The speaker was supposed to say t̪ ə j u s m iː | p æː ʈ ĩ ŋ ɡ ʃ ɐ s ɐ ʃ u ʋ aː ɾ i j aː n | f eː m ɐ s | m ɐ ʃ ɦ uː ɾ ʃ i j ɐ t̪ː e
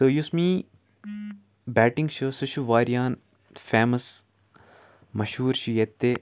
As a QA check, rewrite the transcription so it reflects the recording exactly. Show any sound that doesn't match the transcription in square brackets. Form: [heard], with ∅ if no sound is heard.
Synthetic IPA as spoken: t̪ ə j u s m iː | [b] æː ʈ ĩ ŋ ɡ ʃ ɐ s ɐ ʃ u ʋ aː ɾ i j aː n | f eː m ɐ s | m ɐ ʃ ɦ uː ɾ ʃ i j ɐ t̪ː e